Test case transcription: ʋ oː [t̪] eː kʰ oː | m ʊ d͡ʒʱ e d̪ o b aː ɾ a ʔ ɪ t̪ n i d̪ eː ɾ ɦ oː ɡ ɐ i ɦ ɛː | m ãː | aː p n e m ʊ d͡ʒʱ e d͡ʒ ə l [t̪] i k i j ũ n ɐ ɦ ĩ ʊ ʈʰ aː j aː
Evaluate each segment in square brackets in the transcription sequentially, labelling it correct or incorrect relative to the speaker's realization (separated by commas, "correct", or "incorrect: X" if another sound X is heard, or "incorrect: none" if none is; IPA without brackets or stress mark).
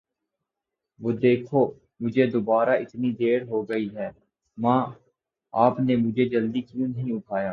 incorrect: d̪, incorrect: d̪